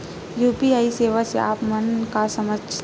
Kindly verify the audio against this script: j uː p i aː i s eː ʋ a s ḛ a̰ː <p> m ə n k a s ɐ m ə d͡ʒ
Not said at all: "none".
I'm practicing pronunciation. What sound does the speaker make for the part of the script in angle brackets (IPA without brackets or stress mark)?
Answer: p